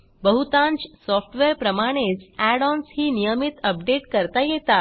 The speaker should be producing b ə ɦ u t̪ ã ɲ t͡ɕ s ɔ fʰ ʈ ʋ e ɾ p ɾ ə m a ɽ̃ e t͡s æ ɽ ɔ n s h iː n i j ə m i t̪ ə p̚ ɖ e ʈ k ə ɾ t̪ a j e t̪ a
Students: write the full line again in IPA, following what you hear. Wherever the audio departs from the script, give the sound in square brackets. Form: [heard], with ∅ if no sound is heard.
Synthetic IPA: b ə ɦ u t̪ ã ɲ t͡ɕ s ɔ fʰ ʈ ʋ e ɾ p ɾ ə m a ɽ̃ e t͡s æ ɽ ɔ n s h iː n i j ə m i t̪ ə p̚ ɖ e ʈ k ə ɾ t̪ a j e t̪ a